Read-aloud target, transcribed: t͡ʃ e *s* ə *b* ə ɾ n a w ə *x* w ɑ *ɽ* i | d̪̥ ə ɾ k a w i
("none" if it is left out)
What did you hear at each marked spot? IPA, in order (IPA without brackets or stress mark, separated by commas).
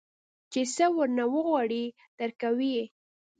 s, w, ɣ, ɽ